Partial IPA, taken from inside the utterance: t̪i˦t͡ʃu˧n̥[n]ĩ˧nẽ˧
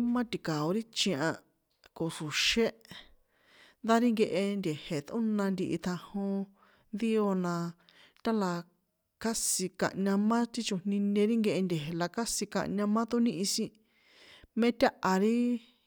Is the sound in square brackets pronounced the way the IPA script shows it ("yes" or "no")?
yes